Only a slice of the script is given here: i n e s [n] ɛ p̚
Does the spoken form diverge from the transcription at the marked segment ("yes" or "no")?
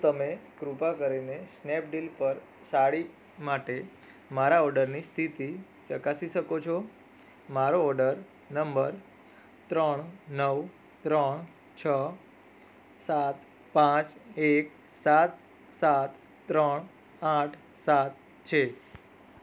no